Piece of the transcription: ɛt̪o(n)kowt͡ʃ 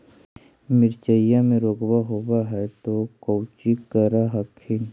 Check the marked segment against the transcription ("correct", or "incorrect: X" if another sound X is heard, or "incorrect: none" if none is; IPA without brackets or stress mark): incorrect: none